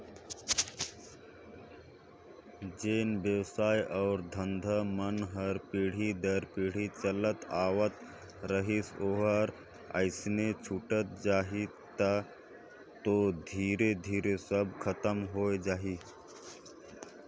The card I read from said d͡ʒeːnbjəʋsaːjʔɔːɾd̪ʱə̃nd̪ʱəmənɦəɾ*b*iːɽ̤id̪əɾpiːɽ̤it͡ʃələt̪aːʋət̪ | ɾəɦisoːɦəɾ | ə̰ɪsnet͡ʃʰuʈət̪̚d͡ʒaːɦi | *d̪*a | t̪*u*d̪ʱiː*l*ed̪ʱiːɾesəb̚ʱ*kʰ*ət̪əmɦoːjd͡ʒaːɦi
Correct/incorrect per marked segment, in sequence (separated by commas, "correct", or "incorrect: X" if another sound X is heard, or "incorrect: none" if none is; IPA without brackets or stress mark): incorrect: p, incorrect: t̪, incorrect: o, incorrect: ɾ, correct